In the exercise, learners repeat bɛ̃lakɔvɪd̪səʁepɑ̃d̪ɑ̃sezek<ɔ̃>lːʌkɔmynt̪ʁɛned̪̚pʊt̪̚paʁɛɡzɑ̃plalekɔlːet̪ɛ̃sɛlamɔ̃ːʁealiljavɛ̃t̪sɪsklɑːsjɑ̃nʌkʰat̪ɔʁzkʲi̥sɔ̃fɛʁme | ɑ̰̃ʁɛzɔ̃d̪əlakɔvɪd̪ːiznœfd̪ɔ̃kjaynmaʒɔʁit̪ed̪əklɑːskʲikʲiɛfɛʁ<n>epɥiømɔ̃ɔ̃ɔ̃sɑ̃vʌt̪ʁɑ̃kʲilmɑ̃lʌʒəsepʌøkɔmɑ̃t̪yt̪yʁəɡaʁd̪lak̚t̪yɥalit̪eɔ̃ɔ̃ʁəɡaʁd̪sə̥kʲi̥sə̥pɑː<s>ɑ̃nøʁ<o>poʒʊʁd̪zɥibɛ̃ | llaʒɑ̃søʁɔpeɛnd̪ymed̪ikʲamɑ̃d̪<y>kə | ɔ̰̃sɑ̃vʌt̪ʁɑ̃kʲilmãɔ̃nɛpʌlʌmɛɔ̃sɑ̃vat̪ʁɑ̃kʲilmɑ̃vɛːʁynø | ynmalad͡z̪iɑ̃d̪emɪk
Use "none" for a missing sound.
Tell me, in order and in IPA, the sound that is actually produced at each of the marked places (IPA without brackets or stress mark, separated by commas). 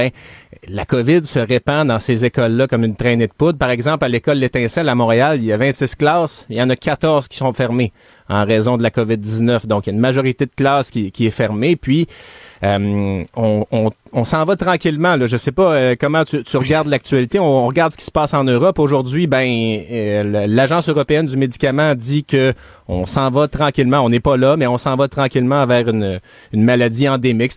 ɔ, m, s, ɔ, i